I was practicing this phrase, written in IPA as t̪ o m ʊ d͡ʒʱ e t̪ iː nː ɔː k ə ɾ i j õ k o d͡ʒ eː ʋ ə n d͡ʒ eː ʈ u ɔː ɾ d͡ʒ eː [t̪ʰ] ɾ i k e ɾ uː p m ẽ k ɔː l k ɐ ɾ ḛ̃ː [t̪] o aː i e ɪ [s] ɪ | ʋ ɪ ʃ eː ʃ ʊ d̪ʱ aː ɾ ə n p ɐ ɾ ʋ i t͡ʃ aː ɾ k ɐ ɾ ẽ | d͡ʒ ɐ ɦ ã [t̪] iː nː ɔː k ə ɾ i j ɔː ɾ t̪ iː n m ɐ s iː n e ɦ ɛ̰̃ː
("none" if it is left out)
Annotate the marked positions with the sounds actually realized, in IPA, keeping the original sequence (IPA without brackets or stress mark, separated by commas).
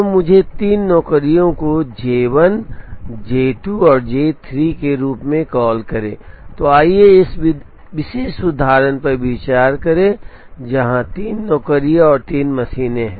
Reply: t̪ʰ, t̪, s, t̪